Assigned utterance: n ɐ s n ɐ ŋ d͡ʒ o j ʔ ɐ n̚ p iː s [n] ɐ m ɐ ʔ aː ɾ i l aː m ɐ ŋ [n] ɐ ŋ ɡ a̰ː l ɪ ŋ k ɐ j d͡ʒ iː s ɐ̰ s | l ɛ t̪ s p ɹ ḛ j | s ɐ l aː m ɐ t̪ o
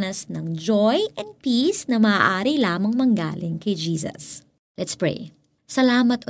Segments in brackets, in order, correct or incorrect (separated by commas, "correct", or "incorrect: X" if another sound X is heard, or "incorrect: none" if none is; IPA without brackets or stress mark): correct, incorrect: m